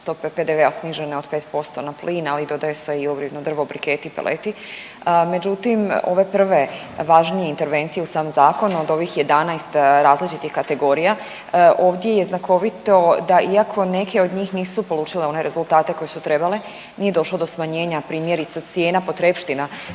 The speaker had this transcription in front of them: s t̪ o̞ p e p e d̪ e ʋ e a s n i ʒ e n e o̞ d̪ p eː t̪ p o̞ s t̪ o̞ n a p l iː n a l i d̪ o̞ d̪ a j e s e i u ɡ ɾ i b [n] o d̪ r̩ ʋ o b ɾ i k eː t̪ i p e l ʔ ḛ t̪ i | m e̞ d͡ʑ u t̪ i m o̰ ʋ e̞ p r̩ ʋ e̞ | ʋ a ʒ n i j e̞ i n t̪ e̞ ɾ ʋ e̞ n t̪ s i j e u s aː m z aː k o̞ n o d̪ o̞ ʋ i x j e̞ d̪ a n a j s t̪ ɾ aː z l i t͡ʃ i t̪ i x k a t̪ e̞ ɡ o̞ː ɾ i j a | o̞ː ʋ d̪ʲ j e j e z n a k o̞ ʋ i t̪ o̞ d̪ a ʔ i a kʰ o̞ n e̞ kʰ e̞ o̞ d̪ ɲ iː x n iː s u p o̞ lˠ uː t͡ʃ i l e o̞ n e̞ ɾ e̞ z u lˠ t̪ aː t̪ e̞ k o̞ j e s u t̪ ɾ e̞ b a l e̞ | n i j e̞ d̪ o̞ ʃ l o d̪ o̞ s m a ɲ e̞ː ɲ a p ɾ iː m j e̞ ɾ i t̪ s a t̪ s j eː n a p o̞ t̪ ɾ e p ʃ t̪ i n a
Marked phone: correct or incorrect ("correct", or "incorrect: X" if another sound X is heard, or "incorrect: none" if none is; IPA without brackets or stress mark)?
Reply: correct